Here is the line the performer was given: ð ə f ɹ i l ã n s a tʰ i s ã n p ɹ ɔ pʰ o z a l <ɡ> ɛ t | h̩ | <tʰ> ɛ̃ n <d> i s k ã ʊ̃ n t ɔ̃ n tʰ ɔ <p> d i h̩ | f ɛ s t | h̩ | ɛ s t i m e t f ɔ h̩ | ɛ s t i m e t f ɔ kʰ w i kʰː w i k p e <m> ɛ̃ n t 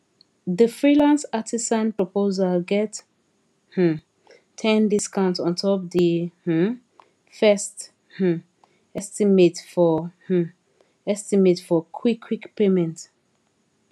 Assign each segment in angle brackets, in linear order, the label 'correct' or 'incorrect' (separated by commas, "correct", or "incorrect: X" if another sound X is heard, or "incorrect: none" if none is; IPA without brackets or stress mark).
correct, correct, correct, correct, correct